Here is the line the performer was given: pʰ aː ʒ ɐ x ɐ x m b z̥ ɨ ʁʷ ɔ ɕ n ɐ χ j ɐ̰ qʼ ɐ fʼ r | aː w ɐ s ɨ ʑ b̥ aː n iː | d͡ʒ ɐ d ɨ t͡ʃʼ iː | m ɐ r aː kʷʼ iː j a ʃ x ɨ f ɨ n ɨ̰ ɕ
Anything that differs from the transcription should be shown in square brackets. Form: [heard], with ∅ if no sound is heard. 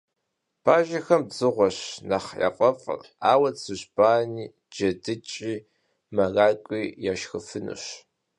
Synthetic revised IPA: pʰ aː ʒ ɐ x ɐ [∅] m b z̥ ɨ ʁʷ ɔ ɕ n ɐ χ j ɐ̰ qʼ ɐ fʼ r | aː w ɐ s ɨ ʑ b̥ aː n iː | d͡ʒ ɐ d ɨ t͡ʃʼ iː | m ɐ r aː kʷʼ iː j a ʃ x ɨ f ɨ n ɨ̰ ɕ